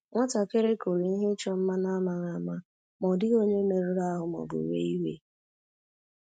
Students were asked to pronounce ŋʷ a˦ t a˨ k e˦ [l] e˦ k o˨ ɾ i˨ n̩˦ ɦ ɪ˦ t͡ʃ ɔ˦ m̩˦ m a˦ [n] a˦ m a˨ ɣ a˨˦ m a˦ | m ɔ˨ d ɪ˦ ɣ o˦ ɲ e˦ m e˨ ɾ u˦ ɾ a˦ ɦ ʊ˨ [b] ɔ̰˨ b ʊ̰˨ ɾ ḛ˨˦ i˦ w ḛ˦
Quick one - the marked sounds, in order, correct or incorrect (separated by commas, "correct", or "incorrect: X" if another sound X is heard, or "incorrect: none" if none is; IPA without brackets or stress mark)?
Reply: incorrect: ɾ, correct, incorrect: m